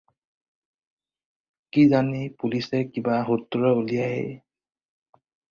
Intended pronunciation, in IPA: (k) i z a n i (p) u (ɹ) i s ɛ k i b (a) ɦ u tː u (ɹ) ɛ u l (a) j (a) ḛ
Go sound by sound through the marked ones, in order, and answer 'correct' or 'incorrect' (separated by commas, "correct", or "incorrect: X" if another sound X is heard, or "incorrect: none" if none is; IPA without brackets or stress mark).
correct, correct, incorrect: l, correct, correct, incorrect: i, correct